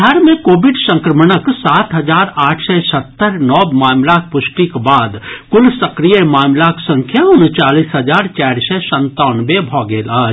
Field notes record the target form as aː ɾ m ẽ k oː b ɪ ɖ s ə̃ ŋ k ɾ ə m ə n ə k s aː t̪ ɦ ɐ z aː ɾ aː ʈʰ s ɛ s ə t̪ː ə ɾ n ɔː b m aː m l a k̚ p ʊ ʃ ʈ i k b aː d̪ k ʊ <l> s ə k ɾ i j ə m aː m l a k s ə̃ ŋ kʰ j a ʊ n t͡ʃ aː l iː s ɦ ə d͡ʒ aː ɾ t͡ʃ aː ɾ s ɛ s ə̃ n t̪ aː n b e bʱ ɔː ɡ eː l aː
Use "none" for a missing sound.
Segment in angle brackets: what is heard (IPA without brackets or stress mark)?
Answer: l